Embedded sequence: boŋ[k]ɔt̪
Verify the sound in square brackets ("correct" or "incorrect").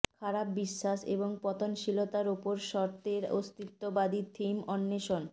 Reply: incorrect